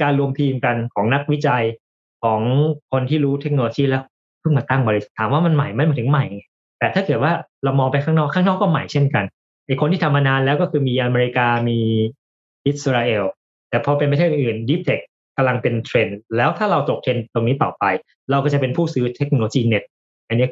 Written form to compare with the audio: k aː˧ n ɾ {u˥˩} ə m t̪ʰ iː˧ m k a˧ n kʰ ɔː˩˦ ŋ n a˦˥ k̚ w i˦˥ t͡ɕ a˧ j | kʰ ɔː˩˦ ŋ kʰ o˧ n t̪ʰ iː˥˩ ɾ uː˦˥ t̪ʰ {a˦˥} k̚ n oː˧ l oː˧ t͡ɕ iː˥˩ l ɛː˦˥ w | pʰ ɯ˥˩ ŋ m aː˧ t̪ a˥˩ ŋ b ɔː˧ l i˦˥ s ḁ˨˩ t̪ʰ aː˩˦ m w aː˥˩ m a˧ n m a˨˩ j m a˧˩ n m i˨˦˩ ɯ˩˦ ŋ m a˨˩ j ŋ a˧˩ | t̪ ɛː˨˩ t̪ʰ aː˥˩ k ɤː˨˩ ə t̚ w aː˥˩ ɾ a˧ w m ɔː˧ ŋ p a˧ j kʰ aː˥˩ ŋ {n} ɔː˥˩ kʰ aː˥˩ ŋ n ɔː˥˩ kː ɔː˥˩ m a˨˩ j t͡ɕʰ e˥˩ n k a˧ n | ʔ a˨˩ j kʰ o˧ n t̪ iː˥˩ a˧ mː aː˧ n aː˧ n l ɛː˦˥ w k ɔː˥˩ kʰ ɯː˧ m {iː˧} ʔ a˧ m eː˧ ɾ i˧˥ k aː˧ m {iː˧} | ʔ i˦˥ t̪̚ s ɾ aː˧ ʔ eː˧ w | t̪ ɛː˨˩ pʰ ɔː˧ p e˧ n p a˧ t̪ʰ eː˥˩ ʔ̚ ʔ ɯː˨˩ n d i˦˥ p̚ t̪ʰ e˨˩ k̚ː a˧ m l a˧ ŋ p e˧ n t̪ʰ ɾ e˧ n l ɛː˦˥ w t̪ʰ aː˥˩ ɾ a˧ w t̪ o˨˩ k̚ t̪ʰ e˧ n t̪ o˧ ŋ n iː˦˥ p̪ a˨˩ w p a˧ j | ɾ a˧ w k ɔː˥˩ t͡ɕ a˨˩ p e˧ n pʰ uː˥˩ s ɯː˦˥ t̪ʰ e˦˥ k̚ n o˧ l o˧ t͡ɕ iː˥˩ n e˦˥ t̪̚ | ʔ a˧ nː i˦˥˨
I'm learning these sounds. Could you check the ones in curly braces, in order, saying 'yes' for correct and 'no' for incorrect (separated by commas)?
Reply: no, no, yes, yes, yes